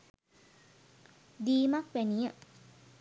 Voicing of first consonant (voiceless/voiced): voiced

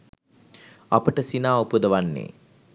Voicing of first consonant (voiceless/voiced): voiceless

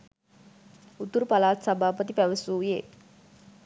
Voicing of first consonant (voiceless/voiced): voiceless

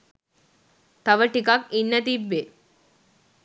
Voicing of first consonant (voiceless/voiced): voiceless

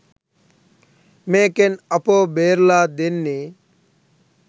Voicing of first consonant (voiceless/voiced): voiced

